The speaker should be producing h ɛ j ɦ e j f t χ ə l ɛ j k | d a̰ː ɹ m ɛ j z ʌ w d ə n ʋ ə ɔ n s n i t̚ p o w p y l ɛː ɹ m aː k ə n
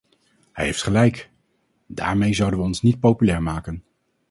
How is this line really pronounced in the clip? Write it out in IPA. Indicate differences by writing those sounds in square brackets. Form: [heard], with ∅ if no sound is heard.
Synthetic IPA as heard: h ɛ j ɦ e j f t χ ə l ɛ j k | d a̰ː ɹ m [e] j z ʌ w d ə n ʋ ə ɔ n s n i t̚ p o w p y l ɛː ɹ m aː k ə n

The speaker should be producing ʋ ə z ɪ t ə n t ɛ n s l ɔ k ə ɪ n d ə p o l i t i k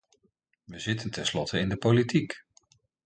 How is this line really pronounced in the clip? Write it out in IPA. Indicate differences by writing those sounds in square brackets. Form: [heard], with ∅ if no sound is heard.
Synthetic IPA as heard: ʋ ə z ɪ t ə n t ɛ n s l ɔ [t] ə ɪ n d ə p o l i t i k

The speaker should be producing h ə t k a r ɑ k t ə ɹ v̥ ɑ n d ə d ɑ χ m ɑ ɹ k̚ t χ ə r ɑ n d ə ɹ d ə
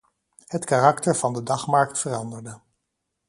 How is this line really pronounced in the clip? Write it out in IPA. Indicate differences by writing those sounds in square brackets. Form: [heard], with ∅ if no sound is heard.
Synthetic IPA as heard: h ə t k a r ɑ k t ə ɹ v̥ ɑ n d ə d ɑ χ m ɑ ɹ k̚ t [f] ə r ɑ n d ə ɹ d ə

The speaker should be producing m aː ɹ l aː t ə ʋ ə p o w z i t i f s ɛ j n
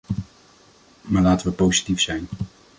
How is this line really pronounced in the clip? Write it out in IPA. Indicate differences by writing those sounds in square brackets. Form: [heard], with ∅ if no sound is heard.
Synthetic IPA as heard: m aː ɹ l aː t ə ʋ ə p o w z i t i f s ɛ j n

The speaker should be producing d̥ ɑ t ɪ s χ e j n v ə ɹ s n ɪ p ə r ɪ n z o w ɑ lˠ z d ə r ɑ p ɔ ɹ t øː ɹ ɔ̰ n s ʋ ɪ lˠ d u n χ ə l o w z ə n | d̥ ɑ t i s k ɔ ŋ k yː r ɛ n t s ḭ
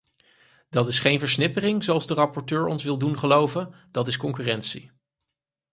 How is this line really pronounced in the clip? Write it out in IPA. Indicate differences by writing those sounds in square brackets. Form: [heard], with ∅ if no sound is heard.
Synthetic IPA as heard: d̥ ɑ t ɪ s χ e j n v ə ɹ s n ɪ p ə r ɪ [ŋ] z o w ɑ lˠ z d ə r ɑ p ɔ ɹ t øː ɹ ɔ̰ n s ʋ ɪ lˠ d u n χ ə l o w [v] ə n | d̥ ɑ t [ɪ] s k ɔ ŋ k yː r ɛ n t s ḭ

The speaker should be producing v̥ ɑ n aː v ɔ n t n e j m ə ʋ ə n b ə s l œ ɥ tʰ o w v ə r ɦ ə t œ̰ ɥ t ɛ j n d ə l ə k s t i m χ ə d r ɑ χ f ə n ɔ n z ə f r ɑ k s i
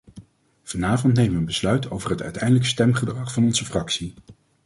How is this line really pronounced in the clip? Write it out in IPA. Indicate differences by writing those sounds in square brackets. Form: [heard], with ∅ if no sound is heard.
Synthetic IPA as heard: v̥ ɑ n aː v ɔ n t n e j m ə ʋ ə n b ə s l œ ɥ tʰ o w v ə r ɦ ə t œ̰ ɥ t ɛ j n d ə l ə k s t [ɛ] m χ ə d r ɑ χ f [ɑ] n ɔ n z ə f r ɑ k s i

